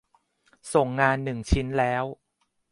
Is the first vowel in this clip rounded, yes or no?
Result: yes